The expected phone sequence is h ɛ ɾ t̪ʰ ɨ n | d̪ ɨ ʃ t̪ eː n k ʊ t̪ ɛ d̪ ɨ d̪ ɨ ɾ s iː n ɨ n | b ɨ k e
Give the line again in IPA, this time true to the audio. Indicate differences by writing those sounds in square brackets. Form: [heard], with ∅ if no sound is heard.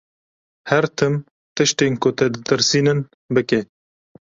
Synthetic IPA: h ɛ ɾ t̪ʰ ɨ [m] | [t̪] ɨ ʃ t̪ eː n k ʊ t̪ ɛ d̪ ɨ [t̪] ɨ ɾ s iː n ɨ n | b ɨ k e